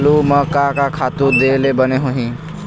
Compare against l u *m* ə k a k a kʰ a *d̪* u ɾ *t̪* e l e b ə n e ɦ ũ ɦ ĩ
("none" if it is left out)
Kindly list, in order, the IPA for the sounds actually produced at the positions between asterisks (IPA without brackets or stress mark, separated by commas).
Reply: m, t̪, d̪